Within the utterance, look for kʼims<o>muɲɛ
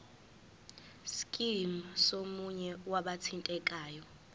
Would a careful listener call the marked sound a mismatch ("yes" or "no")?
no